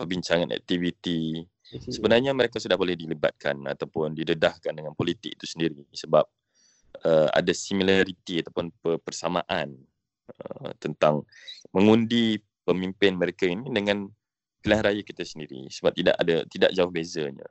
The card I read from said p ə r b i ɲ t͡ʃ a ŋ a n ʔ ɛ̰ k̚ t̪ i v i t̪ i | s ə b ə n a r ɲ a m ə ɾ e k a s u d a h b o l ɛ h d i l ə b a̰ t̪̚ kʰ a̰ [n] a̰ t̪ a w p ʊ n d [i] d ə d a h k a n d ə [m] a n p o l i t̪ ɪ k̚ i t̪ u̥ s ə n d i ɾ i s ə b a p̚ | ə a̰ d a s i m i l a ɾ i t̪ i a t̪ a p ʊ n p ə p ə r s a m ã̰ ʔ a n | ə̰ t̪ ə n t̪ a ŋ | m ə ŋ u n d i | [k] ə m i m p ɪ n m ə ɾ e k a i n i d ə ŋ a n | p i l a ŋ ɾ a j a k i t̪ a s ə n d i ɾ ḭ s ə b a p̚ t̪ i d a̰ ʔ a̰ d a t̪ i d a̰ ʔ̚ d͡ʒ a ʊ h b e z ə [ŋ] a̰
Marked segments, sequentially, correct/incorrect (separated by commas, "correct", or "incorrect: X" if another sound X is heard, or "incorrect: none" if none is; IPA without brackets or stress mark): correct, correct, incorrect: ŋ, incorrect: p, incorrect: ɲ